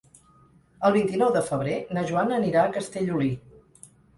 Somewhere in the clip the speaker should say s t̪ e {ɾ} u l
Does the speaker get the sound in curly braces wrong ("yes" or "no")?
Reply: yes